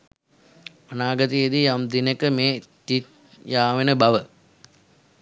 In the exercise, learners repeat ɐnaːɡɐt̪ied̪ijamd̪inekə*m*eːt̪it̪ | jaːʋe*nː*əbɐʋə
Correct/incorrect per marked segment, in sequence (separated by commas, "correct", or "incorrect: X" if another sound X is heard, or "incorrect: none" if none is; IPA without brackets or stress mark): correct, incorrect: n